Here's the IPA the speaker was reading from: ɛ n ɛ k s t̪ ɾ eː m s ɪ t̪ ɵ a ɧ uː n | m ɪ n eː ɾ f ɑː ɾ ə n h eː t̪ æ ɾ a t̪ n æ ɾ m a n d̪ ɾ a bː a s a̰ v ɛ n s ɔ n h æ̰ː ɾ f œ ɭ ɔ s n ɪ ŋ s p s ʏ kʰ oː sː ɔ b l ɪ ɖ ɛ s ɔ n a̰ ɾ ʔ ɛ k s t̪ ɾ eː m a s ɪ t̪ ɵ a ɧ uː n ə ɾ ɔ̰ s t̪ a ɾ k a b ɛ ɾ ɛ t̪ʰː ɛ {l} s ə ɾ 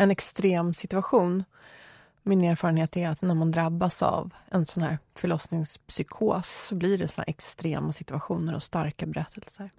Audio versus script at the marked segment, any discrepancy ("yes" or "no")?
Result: no